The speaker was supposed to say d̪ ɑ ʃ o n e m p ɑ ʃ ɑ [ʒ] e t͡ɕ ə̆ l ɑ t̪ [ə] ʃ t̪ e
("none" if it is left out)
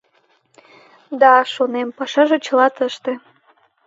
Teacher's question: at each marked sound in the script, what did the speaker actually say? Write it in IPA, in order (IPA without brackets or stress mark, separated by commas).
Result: ʒ, ə